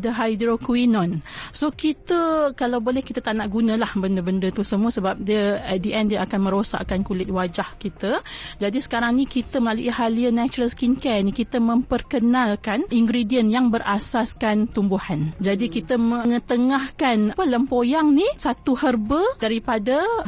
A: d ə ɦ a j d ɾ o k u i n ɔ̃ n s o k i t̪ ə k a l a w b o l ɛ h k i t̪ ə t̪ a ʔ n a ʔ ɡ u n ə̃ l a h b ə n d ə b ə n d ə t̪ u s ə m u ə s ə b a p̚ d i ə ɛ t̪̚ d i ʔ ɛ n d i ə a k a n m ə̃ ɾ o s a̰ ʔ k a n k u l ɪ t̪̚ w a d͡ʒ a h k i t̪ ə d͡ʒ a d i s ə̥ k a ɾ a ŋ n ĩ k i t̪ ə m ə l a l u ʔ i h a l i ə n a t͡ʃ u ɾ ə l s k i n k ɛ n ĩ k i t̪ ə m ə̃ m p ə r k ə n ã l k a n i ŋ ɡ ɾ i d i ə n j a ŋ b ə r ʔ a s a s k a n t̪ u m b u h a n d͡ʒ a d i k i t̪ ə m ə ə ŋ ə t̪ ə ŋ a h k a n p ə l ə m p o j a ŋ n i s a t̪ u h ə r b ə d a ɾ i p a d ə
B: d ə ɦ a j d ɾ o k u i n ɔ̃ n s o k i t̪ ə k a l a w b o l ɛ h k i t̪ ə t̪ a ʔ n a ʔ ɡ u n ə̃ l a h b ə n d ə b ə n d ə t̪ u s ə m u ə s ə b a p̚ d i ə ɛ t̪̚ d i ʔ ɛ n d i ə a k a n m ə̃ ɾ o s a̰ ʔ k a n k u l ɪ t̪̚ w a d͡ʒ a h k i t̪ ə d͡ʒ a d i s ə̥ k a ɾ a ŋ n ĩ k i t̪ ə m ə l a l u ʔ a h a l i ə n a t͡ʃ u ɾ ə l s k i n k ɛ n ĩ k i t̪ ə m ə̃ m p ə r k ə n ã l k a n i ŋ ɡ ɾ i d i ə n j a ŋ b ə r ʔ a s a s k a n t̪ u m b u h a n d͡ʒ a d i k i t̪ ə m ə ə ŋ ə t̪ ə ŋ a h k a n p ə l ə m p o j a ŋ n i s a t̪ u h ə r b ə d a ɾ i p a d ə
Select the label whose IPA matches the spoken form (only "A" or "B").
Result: A